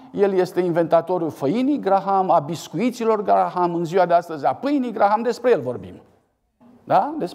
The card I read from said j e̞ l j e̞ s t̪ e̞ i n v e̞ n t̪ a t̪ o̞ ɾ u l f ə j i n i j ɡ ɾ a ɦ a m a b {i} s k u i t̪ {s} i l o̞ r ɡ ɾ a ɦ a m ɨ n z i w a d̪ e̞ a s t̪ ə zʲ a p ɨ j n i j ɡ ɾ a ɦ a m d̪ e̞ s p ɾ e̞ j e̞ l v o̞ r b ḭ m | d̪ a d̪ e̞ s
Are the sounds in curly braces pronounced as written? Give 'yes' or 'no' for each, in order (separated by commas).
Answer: yes, yes